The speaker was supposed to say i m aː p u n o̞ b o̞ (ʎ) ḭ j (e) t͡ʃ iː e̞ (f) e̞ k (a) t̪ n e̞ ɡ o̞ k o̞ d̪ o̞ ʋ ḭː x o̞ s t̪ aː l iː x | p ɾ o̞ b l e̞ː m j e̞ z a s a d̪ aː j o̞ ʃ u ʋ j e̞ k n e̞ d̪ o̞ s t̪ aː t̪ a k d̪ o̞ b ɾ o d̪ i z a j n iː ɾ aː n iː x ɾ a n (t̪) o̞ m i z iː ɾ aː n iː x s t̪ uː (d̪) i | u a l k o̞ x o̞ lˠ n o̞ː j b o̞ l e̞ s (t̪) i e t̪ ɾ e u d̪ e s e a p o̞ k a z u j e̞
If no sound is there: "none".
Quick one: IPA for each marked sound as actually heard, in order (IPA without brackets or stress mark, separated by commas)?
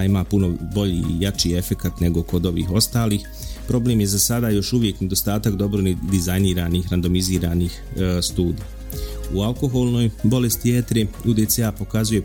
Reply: ʎ, a, f, a, d̪, d̪, t̪